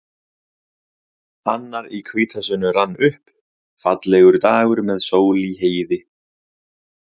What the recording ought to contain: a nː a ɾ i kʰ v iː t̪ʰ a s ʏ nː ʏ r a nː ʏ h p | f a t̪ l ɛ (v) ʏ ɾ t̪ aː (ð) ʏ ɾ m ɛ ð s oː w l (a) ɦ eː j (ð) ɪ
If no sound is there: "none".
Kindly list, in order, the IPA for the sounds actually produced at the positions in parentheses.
ɣ, ɣ, i, ð

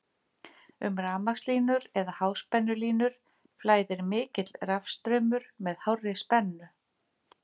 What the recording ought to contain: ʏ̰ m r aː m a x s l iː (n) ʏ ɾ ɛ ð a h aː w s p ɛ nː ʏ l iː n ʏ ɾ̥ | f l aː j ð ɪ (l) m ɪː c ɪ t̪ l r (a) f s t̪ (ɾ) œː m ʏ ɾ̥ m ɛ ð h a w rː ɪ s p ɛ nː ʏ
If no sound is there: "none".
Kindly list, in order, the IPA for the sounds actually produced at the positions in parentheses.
n, ɾ, a, ɾ

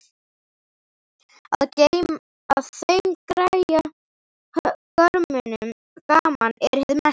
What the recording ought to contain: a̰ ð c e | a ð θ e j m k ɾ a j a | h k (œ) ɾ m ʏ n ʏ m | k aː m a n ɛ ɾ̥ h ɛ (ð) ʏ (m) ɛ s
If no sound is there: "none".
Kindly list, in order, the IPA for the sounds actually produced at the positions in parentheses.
œ, ð, m

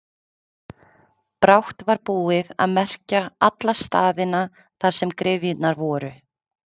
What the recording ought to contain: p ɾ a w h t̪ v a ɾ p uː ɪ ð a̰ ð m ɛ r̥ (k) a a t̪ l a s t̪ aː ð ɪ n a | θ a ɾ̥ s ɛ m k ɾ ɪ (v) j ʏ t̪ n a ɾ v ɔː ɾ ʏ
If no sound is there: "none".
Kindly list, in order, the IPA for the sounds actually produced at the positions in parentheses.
c, v

